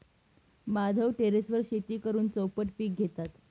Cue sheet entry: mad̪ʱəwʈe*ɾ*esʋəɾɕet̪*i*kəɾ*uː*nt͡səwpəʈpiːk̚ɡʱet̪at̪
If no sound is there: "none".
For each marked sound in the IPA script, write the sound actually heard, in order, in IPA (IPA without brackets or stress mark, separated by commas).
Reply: ɾ, iː, uː